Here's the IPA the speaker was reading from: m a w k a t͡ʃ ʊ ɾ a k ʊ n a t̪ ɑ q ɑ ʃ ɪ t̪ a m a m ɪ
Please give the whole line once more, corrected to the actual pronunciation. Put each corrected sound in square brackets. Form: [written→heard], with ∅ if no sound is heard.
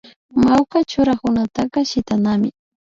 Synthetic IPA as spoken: m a w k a t͡ʃ ʊ ɾ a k ʊ n a t̪ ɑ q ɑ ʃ ɪ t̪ a [m→n] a m ɪ